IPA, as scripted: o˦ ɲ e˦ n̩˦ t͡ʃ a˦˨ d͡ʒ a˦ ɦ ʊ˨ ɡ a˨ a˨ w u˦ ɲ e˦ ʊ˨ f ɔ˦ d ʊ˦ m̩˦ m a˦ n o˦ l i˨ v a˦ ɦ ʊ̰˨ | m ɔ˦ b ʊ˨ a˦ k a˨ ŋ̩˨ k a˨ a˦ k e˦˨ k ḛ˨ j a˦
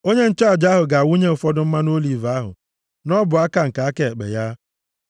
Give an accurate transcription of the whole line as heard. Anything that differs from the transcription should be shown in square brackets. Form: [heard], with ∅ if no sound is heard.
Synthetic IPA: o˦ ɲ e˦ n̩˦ t͡ʃ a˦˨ d͡ʒ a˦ ɦ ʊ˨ ɡ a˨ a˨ w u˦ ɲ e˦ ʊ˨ f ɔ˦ d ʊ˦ m̩˦ m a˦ n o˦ l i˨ v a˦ ɦ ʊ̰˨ | [n] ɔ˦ b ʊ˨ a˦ k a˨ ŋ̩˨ k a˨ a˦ k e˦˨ [k͡p] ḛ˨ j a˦